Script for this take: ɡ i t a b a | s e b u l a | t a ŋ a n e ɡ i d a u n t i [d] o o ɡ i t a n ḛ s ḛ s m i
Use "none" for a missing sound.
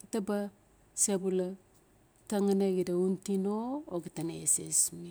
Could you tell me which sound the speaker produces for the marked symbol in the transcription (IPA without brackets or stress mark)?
n